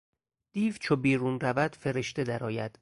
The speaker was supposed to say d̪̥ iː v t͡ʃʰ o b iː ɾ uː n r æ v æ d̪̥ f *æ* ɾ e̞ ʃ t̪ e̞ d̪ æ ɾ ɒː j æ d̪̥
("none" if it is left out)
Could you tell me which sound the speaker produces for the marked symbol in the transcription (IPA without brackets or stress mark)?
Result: e